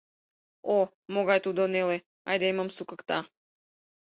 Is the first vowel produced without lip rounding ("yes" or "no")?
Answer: no